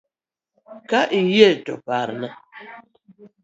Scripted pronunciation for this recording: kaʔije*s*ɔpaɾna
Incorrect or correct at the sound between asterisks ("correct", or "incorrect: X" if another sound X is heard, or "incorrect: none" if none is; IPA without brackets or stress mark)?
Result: incorrect: t